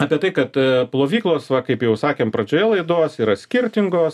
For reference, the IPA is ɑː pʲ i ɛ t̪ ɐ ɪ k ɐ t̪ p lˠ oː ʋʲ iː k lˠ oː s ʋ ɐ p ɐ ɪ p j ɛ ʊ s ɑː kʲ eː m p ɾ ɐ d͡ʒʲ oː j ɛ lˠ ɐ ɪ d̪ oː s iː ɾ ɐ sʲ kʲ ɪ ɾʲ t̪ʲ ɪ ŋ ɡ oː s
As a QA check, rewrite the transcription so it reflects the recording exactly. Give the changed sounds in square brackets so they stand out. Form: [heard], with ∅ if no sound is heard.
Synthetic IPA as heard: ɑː pʲ i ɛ t̪ ɐ ɪ k ɐ t̪ p lˠ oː ʋʲ iː k lˠ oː s ʋ ɐ [k] ɐ ɪ p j ɛ ʊ s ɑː kʲ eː m p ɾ ɐ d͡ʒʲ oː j ɛ lˠ ɐ ɪ d̪ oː s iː ɾ ɐ sʲ kʲ ɪ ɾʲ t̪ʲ ɪ ŋ ɡ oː s